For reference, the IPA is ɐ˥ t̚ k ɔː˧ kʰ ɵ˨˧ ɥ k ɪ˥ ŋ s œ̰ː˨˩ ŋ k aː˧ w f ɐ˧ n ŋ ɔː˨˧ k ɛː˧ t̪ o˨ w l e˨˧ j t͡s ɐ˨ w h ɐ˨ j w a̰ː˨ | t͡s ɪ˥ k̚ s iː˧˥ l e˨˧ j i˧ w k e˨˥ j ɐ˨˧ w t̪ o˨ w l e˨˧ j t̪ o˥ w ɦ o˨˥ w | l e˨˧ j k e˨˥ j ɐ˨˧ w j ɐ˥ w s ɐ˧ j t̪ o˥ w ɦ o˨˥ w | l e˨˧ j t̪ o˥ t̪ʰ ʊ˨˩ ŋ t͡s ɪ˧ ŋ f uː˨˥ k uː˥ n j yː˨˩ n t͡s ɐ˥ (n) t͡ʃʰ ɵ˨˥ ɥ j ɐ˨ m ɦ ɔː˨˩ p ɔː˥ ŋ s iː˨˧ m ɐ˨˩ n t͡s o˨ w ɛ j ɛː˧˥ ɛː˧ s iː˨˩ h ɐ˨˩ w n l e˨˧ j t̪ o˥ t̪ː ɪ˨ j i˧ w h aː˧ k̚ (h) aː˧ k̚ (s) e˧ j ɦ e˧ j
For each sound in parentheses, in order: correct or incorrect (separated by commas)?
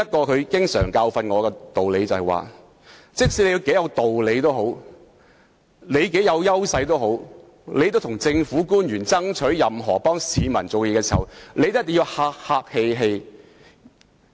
incorrect, correct, incorrect